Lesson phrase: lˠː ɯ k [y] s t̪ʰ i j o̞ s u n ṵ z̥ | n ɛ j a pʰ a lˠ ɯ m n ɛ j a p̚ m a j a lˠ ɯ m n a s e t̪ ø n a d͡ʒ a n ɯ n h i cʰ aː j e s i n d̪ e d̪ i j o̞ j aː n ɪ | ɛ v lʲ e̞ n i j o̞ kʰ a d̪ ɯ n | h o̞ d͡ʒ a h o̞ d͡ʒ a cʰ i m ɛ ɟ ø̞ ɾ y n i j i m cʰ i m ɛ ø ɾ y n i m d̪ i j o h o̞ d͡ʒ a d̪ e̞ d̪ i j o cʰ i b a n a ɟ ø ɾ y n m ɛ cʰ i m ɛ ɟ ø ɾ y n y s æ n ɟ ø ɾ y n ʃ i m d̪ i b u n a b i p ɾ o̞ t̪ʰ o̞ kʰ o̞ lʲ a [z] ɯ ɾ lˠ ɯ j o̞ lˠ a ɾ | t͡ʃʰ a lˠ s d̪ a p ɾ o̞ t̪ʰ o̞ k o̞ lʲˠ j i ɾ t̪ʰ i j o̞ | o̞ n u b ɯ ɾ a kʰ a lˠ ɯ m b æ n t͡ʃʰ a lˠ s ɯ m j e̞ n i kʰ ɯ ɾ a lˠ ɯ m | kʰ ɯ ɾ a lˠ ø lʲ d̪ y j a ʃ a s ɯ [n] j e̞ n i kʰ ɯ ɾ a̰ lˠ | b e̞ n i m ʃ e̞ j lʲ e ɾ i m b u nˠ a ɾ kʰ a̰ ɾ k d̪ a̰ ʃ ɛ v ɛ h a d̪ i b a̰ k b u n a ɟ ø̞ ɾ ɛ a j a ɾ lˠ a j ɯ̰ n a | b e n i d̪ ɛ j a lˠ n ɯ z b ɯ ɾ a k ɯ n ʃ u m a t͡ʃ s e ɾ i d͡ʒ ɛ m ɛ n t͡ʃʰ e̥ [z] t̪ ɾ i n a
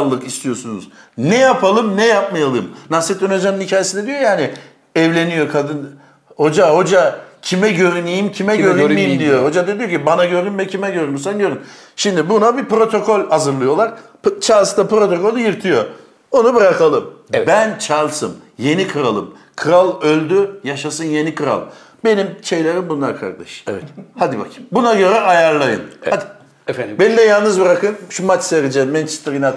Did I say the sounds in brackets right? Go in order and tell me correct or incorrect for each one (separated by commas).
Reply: incorrect, correct, correct, incorrect